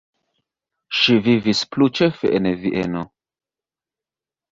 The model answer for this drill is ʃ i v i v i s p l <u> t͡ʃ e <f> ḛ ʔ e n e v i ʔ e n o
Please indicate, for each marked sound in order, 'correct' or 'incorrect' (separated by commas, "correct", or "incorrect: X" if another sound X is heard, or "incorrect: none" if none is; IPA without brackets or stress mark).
correct, correct